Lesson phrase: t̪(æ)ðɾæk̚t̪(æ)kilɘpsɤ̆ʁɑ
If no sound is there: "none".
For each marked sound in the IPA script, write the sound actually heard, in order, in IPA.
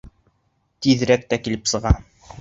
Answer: i, æ

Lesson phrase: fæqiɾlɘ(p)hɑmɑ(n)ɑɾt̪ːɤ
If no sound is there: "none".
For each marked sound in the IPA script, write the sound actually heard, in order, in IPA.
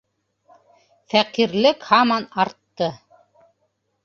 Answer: k, n

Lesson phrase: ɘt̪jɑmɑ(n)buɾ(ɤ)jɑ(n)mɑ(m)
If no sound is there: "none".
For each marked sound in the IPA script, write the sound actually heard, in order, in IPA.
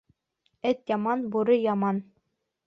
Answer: n, ɤ, none, n

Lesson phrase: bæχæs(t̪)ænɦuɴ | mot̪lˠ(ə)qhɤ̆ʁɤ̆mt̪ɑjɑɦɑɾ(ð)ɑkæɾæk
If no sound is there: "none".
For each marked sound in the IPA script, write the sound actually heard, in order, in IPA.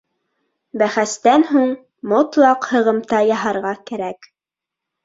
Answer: t̪, ɑ, ʁ

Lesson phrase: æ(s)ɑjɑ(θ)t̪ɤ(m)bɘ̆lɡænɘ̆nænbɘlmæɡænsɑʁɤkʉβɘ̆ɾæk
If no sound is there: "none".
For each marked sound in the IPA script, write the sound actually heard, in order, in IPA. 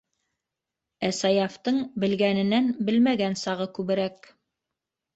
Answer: s, f, ɴ

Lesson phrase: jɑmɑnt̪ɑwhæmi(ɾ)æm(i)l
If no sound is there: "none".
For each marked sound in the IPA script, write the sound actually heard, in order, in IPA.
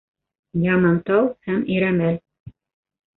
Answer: ɾ, æ

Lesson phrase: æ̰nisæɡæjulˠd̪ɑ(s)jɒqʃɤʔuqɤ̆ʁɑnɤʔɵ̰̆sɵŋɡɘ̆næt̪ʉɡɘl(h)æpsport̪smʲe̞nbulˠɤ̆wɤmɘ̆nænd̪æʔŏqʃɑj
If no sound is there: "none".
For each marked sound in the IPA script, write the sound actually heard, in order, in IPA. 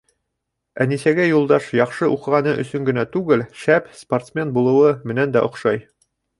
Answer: ʃ, ʃ

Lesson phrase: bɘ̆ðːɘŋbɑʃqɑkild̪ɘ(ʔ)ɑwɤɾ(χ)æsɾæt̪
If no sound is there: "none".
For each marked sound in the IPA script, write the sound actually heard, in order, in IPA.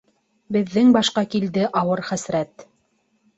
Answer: ʔ, χ

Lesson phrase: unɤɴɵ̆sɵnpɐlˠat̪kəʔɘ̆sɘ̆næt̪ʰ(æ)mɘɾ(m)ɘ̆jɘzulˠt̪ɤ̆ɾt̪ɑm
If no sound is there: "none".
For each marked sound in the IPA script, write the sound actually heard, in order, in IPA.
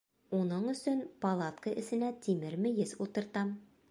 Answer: i, m

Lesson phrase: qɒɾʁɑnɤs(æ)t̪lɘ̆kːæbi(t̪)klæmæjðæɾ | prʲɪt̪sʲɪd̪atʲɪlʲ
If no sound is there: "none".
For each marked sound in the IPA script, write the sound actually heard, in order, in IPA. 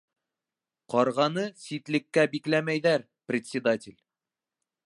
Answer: i, none

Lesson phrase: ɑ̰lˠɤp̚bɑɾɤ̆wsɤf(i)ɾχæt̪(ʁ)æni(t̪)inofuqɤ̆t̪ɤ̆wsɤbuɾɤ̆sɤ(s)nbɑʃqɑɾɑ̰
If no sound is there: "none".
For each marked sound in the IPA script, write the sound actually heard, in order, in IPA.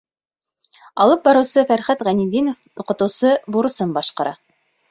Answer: æ, ʁ, d̪, none

